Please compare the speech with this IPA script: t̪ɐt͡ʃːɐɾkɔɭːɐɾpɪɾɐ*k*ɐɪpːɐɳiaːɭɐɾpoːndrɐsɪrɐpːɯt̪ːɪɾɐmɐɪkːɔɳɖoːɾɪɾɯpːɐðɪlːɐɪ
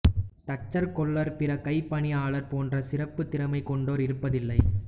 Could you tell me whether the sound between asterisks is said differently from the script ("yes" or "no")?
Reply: no